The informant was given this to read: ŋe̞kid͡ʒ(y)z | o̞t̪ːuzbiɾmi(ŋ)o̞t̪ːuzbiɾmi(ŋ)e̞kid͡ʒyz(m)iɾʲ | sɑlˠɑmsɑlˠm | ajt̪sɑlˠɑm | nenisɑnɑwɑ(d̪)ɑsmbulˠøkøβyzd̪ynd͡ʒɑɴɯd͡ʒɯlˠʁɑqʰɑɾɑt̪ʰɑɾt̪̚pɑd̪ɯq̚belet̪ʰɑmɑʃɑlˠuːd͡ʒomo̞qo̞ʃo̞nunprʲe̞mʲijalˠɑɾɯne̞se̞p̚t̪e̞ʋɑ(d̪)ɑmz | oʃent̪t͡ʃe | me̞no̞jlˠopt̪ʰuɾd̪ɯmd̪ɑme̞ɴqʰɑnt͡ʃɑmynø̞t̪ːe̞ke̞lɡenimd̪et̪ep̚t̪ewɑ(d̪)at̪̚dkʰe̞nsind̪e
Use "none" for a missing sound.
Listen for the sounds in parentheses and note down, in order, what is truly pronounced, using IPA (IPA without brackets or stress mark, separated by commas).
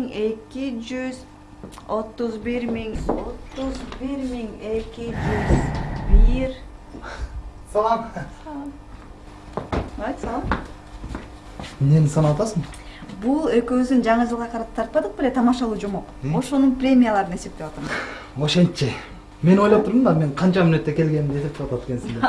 y, ŋ, ŋ, b, t̪, t̪, t̪